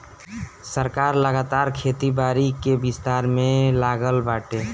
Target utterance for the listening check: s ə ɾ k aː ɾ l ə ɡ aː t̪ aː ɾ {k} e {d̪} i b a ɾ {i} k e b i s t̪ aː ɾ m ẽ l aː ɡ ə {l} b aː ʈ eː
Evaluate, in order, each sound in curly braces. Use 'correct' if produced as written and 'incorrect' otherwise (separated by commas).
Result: incorrect, incorrect, correct, correct